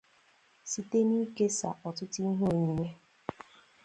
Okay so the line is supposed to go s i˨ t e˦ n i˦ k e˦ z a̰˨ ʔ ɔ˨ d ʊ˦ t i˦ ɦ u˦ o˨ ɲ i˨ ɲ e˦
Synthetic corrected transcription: s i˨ t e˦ n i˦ k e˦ s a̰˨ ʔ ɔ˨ t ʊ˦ t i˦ ɦ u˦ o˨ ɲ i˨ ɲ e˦